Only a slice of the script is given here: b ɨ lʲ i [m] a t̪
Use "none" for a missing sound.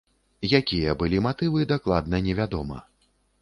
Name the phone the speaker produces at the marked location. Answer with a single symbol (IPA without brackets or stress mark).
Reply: m